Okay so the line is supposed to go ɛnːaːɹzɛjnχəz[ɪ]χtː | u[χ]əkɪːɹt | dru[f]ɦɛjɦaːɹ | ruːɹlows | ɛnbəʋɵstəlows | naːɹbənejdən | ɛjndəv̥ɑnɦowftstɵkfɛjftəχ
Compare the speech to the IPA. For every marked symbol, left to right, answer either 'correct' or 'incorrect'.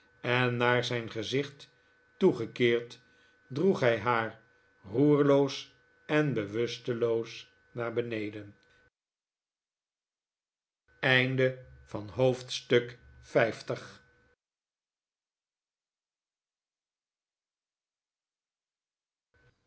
correct, correct, incorrect

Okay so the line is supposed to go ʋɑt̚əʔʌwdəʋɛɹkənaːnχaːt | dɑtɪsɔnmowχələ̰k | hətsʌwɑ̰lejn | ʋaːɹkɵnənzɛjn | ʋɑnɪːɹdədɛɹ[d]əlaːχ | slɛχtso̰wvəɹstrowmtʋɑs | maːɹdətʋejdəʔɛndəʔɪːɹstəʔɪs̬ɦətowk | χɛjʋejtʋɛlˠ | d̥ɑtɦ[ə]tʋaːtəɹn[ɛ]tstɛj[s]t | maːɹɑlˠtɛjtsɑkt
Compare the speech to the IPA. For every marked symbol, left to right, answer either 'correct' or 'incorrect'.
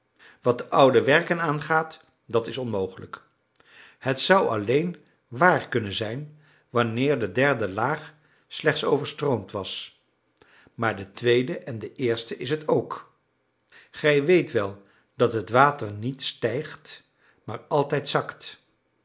correct, correct, incorrect, incorrect

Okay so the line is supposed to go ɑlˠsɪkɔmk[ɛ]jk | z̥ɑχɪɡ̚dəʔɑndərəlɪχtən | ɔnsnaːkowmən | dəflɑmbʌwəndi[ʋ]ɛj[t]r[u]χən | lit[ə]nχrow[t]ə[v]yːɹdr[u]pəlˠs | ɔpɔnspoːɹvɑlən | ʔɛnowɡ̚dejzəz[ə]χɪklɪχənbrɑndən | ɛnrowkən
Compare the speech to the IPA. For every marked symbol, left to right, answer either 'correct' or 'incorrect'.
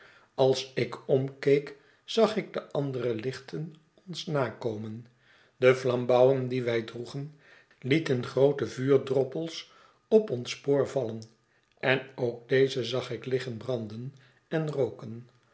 incorrect, correct, incorrect, correct, correct, correct, correct, incorrect, incorrect

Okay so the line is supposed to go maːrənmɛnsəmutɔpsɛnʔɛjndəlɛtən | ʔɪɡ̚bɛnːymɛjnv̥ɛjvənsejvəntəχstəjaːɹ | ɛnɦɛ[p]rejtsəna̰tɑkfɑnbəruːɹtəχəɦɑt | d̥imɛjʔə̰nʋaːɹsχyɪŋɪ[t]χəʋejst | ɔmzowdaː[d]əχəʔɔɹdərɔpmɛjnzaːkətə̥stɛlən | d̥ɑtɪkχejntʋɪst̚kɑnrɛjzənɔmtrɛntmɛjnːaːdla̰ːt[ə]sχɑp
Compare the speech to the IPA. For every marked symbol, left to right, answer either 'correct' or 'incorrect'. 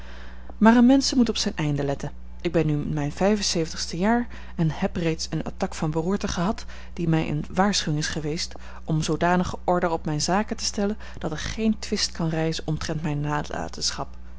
correct, incorrect, incorrect, correct

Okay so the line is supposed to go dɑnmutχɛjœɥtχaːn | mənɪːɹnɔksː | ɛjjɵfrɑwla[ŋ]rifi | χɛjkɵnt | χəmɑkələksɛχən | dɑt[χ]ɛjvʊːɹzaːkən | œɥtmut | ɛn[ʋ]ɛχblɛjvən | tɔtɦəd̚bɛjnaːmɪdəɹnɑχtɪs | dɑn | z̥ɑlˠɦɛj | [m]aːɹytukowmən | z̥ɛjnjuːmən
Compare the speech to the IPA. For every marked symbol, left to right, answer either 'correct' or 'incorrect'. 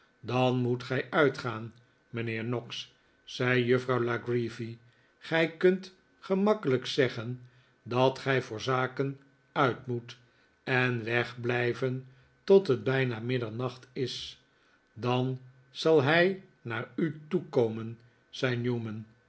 incorrect, correct, correct, incorrect

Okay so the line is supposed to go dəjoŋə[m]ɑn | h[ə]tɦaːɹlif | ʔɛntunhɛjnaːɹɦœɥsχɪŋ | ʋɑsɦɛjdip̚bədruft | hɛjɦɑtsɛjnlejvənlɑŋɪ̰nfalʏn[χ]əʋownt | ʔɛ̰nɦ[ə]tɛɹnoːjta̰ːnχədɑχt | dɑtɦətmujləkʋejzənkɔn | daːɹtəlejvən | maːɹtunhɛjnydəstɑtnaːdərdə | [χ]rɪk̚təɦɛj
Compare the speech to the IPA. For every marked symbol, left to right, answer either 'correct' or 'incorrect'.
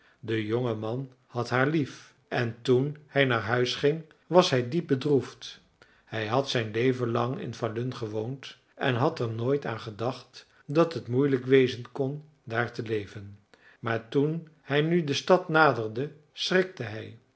correct, incorrect, correct, incorrect, incorrect

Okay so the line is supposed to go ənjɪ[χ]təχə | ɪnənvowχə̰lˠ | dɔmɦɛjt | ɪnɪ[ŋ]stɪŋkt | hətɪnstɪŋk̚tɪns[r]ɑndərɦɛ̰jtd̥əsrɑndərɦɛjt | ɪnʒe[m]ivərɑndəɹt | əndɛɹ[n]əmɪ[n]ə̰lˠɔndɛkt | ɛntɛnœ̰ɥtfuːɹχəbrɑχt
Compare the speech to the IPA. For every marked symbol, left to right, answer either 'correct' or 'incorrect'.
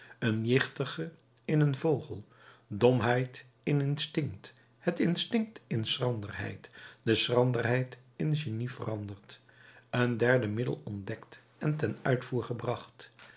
correct, incorrect, correct, incorrect, incorrect, incorrect

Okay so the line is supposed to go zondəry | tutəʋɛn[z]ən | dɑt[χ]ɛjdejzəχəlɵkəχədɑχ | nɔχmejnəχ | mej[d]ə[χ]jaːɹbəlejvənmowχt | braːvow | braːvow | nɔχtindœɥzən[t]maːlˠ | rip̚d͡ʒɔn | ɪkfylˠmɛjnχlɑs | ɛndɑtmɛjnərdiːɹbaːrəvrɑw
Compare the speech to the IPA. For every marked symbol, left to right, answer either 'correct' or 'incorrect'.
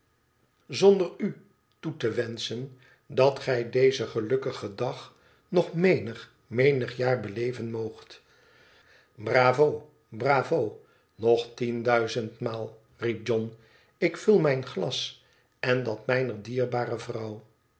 incorrect, correct, incorrect, correct, correct

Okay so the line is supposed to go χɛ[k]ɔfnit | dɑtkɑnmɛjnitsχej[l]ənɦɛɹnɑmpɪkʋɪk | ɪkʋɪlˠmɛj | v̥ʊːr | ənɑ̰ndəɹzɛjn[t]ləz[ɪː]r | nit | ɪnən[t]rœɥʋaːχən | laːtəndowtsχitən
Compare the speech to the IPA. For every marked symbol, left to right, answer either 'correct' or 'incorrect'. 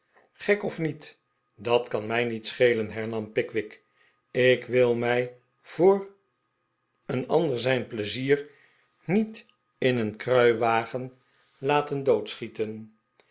correct, correct, incorrect, incorrect, incorrect

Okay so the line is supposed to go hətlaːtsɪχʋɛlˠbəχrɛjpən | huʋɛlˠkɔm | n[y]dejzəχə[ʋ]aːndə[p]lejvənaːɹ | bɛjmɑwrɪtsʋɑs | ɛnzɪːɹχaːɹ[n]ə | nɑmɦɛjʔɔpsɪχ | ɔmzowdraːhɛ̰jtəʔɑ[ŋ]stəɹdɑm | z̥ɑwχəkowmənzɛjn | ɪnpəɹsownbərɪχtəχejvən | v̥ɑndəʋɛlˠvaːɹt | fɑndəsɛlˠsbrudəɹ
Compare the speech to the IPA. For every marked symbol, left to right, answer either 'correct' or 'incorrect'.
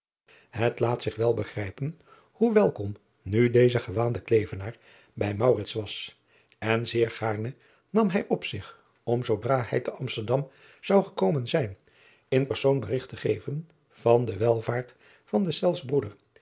correct, correct, incorrect, correct, incorrect

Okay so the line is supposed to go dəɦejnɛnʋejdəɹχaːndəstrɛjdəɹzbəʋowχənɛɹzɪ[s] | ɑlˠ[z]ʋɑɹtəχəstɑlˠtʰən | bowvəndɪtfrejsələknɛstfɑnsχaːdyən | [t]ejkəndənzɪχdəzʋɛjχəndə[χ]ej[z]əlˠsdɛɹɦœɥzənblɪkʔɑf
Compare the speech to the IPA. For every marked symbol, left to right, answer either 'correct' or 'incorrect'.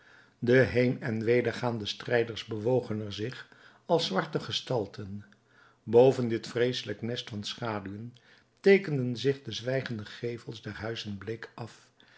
incorrect, incorrect, correct, correct, incorrect

